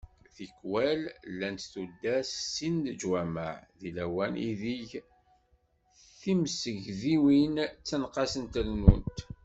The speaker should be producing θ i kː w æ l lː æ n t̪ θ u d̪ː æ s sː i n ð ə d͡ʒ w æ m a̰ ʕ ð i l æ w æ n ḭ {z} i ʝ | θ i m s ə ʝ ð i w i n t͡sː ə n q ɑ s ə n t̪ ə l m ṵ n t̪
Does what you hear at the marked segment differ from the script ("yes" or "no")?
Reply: yes